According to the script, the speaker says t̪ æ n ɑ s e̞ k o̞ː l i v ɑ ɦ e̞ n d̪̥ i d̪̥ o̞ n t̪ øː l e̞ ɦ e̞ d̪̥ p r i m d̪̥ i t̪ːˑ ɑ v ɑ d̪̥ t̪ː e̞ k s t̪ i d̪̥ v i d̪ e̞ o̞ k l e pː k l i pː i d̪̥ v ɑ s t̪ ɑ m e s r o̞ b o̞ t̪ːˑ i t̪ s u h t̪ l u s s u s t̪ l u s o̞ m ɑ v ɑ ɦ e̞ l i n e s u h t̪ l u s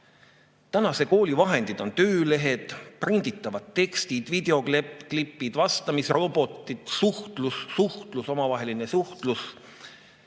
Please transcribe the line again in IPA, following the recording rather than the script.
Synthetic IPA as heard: t̪ æ n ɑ s e̞ k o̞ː l i v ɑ ɦ e̞ n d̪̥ i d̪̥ o̞ n t̪ øː l e̞ ɦ e̞ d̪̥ p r i n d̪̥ i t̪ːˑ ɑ v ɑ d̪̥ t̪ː e̞ k s t̪ i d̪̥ v i d̪ e̞ o̞ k l e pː k l i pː i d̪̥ v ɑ s t̪ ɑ m i s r o̞ b o̞ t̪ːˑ i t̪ s u h t̪ l u s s u h t̪ l u s o̞ m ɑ v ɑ ɦ e̞ l i n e s u h t̪ l u s